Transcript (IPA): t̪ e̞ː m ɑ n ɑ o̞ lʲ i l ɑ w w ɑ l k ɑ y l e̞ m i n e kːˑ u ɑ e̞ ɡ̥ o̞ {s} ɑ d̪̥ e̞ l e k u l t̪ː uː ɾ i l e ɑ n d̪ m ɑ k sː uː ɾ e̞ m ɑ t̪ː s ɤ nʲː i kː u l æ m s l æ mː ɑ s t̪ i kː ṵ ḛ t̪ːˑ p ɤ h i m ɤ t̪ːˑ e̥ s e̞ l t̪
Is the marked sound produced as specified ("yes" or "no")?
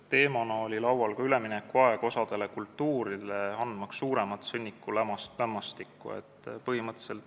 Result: yes